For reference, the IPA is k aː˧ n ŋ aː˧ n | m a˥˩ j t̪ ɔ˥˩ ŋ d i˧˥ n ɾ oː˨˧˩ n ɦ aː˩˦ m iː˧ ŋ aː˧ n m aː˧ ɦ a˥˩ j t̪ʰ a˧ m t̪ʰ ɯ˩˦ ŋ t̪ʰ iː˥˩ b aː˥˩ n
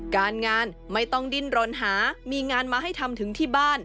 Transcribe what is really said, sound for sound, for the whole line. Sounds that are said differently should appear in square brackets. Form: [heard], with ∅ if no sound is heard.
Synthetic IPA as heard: k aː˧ n ŋ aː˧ n | m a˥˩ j t̪ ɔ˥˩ ŋ d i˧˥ n ɾ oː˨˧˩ n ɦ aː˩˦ m iː˧ ŋ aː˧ n m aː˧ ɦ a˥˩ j t̪ʰ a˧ m t̪ʰ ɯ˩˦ ŋ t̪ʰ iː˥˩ b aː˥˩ n